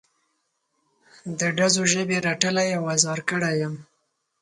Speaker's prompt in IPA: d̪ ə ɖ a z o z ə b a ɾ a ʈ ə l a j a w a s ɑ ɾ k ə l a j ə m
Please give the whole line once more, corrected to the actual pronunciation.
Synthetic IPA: d̪ ə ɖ a z o ʒ ə b e ɾ a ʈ ə l a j a w a z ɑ ɾ k ə ɽ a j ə m